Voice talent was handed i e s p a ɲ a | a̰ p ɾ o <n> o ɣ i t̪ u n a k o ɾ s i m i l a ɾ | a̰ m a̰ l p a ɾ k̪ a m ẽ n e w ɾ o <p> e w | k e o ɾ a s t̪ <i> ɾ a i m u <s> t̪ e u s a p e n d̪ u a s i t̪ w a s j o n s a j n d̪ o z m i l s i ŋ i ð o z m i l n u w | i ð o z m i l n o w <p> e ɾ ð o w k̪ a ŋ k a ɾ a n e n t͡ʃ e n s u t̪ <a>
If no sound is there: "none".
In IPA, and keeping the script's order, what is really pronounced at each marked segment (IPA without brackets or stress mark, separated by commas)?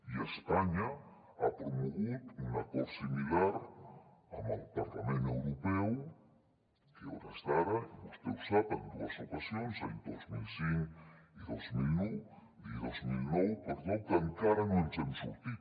m, p, a, s, p, i